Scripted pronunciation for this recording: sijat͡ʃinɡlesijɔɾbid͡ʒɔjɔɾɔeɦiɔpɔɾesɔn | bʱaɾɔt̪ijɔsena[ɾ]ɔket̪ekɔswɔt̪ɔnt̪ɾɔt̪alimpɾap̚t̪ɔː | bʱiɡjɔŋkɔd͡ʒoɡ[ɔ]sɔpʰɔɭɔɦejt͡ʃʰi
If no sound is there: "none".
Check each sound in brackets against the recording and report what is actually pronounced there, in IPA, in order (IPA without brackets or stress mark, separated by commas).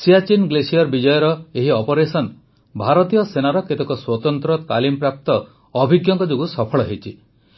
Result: ɾ, u